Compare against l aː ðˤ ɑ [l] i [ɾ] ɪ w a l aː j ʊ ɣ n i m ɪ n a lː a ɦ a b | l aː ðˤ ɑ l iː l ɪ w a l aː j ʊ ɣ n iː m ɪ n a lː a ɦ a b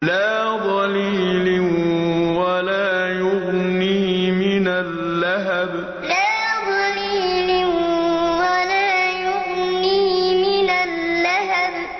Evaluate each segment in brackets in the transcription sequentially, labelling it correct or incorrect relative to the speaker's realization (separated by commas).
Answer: correct, incorrect